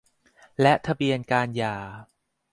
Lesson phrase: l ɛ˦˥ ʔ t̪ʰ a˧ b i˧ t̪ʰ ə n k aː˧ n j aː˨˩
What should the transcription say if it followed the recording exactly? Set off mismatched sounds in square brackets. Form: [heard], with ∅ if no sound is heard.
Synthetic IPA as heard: l ɛ˦˥ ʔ t̪ʰ a˧ b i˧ [∅] ə n k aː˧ n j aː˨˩